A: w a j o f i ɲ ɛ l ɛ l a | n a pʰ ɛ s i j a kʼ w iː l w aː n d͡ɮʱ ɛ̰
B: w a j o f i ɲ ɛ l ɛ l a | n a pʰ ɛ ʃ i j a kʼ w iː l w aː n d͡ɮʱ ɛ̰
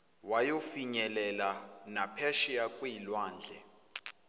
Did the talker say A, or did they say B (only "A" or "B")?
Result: B